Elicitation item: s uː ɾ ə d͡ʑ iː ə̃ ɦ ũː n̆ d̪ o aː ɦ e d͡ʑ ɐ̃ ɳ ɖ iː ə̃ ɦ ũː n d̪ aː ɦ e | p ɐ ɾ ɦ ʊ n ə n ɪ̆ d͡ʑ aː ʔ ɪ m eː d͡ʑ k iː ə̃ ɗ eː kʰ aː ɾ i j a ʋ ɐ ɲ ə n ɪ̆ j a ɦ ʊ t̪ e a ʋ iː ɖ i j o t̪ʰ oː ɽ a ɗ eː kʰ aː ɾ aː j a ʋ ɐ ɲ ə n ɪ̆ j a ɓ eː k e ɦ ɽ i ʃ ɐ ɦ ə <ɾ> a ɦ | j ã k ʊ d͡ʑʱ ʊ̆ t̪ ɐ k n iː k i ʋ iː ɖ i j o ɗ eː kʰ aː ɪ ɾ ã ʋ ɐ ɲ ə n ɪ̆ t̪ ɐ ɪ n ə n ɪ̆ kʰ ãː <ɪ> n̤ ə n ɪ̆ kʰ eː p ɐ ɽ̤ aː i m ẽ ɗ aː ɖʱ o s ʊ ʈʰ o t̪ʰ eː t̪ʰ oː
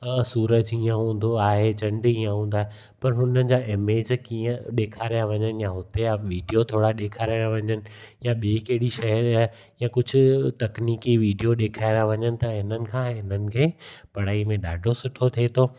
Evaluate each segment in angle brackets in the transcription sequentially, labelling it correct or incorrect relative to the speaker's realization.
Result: correct, correct

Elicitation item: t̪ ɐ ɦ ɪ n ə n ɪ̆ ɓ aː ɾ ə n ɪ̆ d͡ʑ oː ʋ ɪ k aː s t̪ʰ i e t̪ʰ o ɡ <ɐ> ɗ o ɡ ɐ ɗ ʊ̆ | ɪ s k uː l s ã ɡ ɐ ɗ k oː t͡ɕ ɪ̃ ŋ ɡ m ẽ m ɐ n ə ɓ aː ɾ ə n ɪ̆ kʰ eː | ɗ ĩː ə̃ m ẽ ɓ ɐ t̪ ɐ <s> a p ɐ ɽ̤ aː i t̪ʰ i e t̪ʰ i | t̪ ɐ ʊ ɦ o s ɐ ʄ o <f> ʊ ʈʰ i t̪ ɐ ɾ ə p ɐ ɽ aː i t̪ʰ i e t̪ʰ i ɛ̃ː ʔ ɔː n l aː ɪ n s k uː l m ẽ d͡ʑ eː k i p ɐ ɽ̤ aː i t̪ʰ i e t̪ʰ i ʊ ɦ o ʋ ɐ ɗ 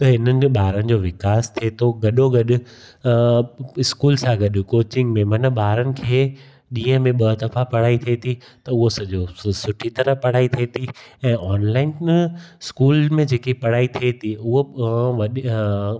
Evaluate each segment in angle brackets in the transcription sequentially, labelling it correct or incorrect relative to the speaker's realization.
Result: correct, incorrect: f, incorrect: s

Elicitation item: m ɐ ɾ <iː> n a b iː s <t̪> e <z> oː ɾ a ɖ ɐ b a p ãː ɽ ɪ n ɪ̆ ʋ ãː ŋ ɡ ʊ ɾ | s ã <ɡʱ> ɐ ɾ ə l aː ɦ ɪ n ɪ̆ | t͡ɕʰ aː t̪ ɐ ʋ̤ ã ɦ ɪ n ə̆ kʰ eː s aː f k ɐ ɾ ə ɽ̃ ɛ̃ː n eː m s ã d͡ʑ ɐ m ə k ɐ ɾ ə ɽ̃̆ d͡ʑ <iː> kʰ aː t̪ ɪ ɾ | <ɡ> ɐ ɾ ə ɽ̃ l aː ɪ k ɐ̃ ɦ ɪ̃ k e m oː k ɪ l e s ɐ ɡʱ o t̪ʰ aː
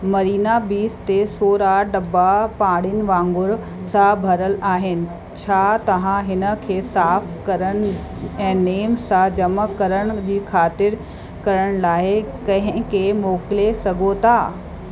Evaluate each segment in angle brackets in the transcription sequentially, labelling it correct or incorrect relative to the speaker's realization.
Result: correct, correct, incorrect: s, incorrect: bʱ, correct, incorrect: k

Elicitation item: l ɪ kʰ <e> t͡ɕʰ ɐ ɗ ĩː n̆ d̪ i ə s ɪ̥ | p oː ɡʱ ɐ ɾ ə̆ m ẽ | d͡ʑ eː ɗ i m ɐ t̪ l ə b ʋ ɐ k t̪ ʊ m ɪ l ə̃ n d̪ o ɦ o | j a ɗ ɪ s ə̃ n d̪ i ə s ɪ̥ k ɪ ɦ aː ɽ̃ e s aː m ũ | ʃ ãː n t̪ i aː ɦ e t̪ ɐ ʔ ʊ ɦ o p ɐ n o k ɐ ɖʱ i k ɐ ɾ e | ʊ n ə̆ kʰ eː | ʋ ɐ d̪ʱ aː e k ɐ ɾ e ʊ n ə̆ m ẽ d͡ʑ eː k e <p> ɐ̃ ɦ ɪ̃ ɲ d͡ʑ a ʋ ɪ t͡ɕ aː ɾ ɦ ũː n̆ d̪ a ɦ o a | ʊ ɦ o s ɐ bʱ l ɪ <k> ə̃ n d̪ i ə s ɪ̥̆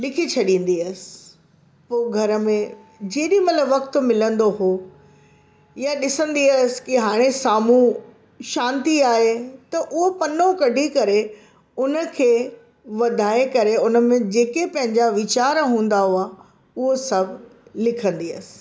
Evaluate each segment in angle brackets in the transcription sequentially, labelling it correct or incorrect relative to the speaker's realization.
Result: incorrect: i, correct, incorrect: kʰ

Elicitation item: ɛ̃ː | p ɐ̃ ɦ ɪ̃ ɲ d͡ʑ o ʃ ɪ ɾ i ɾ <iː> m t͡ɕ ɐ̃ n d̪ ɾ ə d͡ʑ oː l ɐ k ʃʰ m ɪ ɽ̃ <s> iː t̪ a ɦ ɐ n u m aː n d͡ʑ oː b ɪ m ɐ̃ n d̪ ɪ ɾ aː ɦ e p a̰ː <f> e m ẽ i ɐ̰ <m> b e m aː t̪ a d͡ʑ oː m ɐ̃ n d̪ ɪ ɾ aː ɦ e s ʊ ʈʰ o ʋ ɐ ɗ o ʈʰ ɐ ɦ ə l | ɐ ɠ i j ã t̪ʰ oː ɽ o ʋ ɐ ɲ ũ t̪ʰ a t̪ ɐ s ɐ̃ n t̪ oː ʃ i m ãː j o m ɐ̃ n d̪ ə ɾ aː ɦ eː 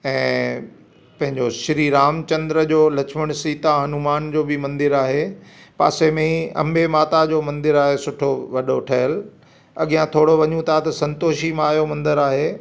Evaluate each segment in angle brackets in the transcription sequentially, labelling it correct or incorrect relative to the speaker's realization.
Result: incorrect: aː, correct, incorrect: s, correct

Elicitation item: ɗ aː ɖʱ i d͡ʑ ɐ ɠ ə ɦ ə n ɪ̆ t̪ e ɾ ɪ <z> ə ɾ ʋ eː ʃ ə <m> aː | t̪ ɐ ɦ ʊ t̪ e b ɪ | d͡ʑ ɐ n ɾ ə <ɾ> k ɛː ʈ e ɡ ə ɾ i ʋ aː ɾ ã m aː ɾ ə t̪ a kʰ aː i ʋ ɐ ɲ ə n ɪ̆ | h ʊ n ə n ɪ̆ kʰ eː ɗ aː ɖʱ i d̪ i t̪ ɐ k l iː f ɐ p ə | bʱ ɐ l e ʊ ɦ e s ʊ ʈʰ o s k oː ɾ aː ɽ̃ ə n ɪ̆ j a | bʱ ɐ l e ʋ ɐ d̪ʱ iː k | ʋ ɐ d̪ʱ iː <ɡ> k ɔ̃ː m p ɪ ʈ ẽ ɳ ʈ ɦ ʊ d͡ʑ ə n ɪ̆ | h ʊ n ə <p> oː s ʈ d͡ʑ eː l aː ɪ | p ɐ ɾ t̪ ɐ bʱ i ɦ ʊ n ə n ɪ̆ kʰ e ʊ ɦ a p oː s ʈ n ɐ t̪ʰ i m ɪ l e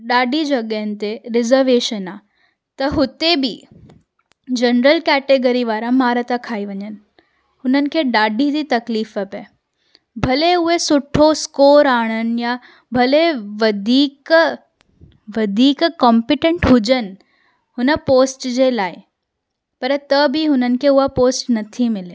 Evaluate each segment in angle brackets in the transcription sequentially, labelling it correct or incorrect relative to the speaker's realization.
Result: correct, incorrect: n, incorrect: l, incorrect: k, correct

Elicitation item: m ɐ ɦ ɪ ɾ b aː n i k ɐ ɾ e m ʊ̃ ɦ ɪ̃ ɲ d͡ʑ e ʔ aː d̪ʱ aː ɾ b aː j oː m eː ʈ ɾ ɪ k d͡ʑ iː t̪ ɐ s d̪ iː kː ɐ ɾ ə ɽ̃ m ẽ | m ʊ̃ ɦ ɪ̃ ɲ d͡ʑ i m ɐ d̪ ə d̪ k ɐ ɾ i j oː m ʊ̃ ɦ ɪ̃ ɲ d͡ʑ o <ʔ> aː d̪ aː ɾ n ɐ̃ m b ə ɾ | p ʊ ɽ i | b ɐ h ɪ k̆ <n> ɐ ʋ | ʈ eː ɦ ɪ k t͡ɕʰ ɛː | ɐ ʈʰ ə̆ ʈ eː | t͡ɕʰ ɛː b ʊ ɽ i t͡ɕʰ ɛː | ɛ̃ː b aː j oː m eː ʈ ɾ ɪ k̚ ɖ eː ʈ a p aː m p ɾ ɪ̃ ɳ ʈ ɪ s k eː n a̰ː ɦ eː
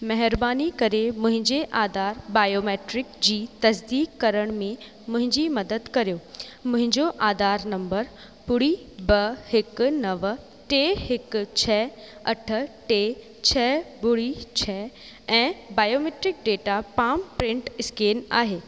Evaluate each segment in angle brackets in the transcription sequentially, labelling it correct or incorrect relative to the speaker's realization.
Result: correct, correct

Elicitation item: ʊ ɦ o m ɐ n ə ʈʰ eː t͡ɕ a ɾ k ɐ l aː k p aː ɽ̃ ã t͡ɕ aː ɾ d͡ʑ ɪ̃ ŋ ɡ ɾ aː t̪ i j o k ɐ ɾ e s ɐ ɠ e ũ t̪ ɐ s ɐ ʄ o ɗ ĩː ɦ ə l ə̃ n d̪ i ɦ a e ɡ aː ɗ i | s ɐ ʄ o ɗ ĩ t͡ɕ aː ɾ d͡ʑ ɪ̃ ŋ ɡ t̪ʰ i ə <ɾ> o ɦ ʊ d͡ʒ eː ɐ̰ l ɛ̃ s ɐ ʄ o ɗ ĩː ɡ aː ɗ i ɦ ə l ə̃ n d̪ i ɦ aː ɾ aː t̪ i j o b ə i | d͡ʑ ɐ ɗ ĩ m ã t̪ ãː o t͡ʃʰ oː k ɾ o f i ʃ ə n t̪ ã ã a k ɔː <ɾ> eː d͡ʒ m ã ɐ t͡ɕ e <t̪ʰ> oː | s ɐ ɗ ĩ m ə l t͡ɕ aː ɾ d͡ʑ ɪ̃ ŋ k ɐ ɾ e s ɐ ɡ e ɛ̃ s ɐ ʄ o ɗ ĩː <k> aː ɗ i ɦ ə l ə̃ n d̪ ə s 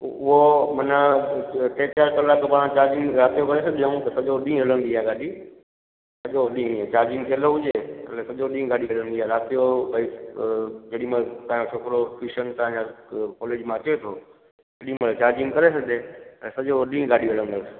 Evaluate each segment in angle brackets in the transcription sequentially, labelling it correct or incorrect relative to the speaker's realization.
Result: incorrect: l, incorrect: l, correct, incorrect: ɡ

